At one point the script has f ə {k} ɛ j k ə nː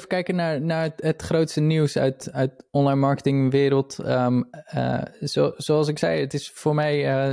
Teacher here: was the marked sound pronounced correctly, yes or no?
yes